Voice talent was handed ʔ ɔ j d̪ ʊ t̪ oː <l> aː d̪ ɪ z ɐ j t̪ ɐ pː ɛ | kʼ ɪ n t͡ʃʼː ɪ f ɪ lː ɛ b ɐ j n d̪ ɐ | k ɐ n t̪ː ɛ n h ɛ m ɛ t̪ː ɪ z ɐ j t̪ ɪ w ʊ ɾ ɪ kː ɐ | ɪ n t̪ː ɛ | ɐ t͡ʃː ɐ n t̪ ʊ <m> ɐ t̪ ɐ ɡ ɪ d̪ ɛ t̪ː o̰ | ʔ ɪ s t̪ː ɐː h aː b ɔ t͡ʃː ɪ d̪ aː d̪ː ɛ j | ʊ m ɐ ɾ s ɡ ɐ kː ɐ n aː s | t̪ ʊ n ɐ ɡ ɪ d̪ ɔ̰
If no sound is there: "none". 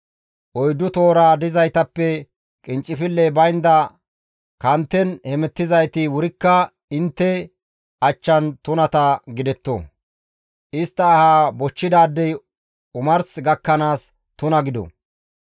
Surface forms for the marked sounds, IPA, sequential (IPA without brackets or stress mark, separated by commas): ɾ, n